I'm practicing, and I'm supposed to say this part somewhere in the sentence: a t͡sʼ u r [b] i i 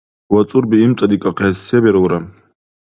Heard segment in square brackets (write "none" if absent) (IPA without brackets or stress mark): b